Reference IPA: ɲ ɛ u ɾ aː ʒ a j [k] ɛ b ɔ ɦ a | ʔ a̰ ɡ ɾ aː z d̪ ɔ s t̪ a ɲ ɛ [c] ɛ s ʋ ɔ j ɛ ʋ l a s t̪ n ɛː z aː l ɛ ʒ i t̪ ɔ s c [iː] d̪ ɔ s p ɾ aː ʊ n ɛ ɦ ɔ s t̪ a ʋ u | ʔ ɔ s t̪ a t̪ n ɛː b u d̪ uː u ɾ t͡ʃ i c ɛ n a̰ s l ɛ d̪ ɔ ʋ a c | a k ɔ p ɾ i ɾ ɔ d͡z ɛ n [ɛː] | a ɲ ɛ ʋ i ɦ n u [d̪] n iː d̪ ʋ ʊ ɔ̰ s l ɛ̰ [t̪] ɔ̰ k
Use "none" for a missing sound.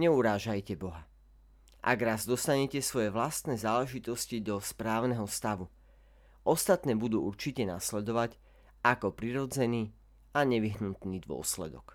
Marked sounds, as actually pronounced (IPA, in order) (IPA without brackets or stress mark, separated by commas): c, c, i, iː, t̪, d̪